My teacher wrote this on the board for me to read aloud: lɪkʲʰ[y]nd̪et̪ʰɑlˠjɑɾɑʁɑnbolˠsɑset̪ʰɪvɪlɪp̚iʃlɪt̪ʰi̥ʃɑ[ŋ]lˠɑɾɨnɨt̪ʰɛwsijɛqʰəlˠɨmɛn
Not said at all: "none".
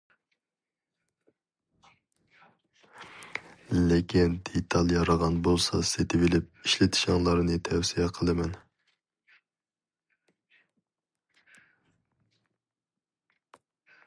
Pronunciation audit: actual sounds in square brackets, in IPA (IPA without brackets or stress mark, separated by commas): i, ŋ